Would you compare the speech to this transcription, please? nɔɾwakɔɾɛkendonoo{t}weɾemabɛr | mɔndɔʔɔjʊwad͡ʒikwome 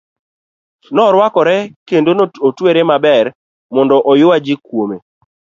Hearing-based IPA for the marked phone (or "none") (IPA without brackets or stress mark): t